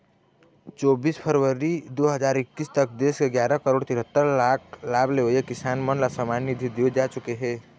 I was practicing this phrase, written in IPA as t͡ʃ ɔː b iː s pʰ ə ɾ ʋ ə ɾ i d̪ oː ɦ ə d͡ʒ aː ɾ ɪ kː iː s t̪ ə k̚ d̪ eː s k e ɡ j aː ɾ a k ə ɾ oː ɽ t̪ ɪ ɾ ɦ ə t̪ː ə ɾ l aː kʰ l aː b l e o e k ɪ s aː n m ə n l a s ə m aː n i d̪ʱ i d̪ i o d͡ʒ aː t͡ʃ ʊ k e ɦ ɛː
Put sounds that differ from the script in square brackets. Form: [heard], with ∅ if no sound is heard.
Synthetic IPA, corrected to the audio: t͡ʃ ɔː b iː s pʰ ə ɾ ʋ ə ɾ i d̪ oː ɦ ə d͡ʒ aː ɾ ɪ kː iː s t̪ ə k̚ d̪ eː s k e ɡ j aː ɾ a k ə ɾ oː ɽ t̪ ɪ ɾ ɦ ə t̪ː ə ɾ l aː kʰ l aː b l e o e k ɪ s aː n m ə n l a s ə m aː n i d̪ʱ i d̪ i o d͡ʒ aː t͡ʃ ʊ k e ɦ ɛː